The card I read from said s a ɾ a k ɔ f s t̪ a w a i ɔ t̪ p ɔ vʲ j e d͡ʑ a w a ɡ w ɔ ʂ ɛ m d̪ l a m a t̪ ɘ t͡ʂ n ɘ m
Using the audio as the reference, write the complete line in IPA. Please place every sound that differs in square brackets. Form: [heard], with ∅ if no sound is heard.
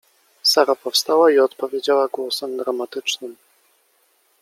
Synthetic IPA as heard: s a ɾ a [p] ɔ f s t̪ a w a i ɔ t̪ p ɔ vʲ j e d͡ʑ a w a ɡ w ɔ [s] ɛ m d̪ [ɾ] a m a t̪ ɘ t͡ʂ n ɘ m